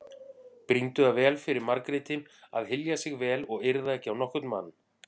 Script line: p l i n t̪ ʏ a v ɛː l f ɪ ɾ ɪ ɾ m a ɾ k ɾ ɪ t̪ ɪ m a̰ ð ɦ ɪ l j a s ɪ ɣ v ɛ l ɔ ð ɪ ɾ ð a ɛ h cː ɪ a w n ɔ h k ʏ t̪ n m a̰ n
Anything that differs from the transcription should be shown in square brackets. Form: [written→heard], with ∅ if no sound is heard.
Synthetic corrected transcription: p [l→ɾ] i n t̪ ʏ a v ɛː l f ɪ ɾ ɪ ɾ m a ɾ k ɾ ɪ t̪ ɪ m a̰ ð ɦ ɪ l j a s ɪ ɣ v [ɛ→ɛː] l ɔ [ð→ɣ] ɪ ɾ ð a ɛ h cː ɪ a w n ɔ h k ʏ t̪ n m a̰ n

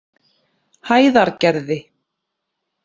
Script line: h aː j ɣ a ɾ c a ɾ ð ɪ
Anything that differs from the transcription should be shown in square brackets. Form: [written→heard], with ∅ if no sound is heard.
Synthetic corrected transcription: h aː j [ɣ→ð] a ɾ c [a→ɛ] ɾ ð ɪ

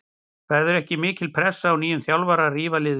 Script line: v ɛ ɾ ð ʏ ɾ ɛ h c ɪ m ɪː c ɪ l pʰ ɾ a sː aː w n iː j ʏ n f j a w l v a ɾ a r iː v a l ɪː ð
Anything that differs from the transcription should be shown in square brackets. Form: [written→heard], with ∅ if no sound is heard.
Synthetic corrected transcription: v ɛ ɾ ð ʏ ɾ ɛ h c ɪ m ɪː c ɪ l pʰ ɾ [a→ɛ] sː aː w n iː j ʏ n [f→θ] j a w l v a ɾ a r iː v a l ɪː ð

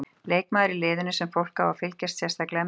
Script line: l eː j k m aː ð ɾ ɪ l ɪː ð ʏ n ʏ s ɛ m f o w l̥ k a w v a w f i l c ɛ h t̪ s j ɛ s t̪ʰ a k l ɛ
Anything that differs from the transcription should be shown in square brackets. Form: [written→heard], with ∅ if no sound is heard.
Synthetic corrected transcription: l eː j k m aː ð ɾ ɪ l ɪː ð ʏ n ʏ s ɛ m f o w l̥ k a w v a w f [i→ɪ] l c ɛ [h→s] t̪ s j ɛ s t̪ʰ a k l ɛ

